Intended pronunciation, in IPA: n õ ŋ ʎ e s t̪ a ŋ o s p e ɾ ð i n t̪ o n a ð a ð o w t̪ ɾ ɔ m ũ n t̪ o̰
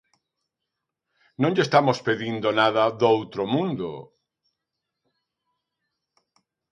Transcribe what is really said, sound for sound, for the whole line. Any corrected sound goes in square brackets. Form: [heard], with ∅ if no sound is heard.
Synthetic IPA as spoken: n õ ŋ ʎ e s t̪ a [m] o s p e [∅] ð i n [d̪] o n a ð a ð o w t̪ ɾ [o] m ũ n [d̪] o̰